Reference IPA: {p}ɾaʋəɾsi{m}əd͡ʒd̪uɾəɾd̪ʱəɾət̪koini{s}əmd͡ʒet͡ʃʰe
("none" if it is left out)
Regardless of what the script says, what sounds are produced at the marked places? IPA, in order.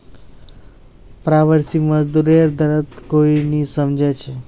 p, m, s

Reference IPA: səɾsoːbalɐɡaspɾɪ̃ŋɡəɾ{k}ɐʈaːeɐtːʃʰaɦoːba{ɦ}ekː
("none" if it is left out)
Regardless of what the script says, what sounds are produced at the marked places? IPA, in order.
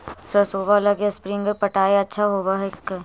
p, ɦ

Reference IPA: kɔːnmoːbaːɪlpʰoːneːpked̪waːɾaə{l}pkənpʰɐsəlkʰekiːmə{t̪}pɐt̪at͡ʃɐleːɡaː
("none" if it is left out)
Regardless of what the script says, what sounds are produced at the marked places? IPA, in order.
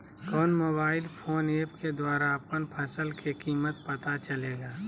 none, t̪

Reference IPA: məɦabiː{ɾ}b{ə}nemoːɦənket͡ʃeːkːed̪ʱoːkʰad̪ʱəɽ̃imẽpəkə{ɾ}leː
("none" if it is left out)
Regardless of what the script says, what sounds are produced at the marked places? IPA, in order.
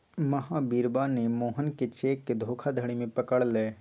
ɾ, a, ɽ

